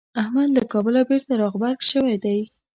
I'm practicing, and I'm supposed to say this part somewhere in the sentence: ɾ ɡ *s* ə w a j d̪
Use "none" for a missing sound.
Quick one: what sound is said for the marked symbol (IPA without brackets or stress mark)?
ʃ